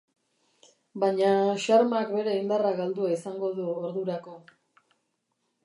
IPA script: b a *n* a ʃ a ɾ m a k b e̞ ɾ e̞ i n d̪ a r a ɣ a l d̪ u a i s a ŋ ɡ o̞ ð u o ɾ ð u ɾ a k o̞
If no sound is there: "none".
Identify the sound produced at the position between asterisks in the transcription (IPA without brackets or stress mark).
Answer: ɲ